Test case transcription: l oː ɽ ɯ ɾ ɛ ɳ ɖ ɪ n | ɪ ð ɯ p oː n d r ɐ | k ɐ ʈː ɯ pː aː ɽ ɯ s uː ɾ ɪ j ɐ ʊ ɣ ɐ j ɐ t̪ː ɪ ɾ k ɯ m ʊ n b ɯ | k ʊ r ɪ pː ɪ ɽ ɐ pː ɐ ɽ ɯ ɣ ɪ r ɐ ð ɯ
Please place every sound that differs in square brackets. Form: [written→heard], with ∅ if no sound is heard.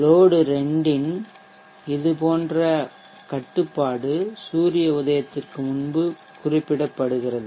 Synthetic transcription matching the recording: l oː ɽ ɯ ɾ ɛ ɳ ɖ ɪ n | ɪ ð ɯ p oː n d r ɐ | k ɐ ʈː ɯ pː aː ɽ ɯ s uː ɾ ɪ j ɐ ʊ [ɣ→ð] ɐ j ɐ t̪ː ɪ [ɾ→r] k ɯ m ʊ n b ɯ | k ʊ r ɪ pː ɪ ɽ ɐ pː ɐ ɽ ɯ ɣ ɪ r ɐ ð ɯ